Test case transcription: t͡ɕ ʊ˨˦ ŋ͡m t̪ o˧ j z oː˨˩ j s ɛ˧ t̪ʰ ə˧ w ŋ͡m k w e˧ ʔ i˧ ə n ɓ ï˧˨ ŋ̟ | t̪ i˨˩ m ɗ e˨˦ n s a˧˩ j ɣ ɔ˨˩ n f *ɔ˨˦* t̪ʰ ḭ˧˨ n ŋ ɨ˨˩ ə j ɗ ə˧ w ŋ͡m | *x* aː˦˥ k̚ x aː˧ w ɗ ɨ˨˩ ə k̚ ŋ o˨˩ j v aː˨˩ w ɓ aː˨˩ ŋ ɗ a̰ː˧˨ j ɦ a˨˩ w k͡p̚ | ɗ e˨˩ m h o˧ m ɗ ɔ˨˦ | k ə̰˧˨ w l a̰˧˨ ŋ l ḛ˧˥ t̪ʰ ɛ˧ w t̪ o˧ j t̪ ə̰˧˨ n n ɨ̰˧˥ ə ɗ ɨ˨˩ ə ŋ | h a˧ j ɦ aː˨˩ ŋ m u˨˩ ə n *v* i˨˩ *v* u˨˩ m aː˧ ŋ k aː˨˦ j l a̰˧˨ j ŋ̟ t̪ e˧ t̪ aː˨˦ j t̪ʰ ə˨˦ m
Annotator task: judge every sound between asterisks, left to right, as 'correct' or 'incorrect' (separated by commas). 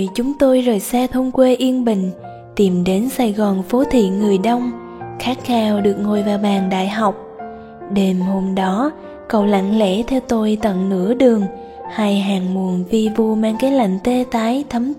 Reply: incorrect, correct, correct, correct